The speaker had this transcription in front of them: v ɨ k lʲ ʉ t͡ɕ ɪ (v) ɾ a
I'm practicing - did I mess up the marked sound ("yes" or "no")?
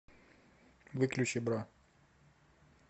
yes